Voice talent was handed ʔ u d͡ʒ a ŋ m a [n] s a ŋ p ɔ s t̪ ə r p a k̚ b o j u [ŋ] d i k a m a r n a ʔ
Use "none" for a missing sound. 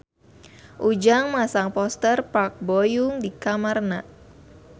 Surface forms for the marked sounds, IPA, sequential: none, ŋ

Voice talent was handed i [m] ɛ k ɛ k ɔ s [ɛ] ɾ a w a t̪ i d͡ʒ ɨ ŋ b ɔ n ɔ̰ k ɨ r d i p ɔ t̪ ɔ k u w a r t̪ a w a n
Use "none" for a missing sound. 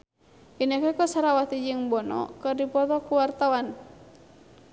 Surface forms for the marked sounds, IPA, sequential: n, a

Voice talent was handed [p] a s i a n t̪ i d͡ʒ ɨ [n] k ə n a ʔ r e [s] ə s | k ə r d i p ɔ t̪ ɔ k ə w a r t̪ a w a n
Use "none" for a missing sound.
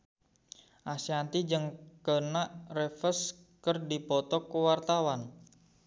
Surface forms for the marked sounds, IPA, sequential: ʔ, ŋ, f

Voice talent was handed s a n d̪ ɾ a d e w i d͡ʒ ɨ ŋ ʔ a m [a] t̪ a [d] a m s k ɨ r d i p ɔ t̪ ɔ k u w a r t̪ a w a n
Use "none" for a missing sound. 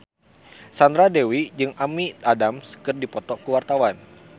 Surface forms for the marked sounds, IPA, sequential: i, d

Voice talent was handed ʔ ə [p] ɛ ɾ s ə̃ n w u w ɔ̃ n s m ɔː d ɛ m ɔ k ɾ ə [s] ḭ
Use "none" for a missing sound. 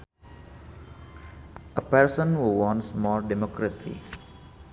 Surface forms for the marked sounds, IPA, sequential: p, s

